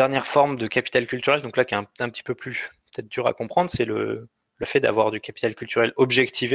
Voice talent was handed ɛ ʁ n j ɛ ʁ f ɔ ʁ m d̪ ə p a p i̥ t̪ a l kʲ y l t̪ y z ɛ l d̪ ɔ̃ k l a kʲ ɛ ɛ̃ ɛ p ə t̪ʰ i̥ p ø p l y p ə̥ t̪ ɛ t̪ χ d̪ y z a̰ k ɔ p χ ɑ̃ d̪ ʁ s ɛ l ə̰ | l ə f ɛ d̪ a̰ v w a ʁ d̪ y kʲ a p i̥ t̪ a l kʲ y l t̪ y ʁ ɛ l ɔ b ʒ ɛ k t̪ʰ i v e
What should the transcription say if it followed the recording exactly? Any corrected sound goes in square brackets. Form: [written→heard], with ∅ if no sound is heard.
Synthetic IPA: ɛ ʁ n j ɛ ʁ f ɔ ʁ m d̪ ə [p→k] a p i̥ t̪ a l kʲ y l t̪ y [z→ʁ] ɛ l d̪ ɔ̃ k l a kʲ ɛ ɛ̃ [ɛ→ɛ̃] p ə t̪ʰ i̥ p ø p l y p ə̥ t̪ ɛ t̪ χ d̪ y [z→ʁ] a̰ k [ɔ→ɔ̃] p χ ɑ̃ d̪ ʁ s ɛ l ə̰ | l ə f ɛ d̪ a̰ v w a ʁ d̪ y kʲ a p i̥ t̪ a l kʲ y l t̪ y ʁ ɛ l ɔ b ʒ ɛ k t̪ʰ i v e